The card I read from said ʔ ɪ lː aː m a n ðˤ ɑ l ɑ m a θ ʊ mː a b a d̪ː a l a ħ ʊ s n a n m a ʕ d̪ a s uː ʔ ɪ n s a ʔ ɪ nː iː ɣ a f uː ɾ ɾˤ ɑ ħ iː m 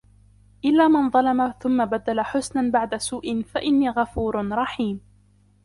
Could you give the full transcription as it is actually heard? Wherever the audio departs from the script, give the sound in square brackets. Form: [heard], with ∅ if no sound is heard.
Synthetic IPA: ʔ ɪ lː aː m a n ðˤ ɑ l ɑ m a θ ʊ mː a b a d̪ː a l a ħ ʊ s n a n [b] a ʕ d̪ a s uː ʔ ɪ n [f] a ʔ ɪ nː iː ɣ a f uː ɾ ɾˤ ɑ ħ iː m